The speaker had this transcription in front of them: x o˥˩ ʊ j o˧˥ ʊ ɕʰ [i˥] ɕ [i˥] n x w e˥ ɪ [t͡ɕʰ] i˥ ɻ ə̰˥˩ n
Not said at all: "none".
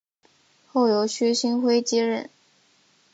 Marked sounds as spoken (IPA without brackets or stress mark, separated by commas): y˥, i˥, t͡ɕ